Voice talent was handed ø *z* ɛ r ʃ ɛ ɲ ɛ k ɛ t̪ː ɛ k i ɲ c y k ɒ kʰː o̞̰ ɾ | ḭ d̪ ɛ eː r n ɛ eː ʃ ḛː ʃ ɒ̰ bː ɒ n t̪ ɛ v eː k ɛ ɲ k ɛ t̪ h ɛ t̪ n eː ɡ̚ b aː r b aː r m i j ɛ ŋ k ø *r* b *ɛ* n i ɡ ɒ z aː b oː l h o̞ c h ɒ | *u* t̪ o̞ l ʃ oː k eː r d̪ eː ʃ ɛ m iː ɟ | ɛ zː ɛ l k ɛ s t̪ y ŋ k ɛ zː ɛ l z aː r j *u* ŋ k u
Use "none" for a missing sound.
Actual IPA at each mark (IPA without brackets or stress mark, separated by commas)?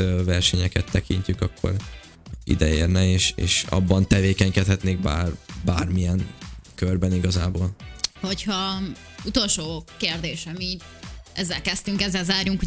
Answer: v, r, ɛ, u, u